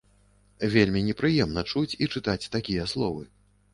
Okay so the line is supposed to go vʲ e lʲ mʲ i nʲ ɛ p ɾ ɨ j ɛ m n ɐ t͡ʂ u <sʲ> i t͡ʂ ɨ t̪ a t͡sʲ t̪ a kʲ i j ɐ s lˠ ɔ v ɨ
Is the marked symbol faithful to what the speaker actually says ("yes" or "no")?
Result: no